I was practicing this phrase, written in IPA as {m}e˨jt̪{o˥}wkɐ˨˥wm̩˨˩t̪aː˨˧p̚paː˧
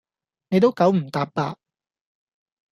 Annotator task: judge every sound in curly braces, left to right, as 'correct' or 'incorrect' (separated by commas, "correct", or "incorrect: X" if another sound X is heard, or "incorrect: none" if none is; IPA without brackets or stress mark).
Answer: incorrect: n, correct